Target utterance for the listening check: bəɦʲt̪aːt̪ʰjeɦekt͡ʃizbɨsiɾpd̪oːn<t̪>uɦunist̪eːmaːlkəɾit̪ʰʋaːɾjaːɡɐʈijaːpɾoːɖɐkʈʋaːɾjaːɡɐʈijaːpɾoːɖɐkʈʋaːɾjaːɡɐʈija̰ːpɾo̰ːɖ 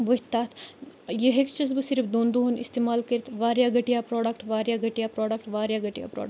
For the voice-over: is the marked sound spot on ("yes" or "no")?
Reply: no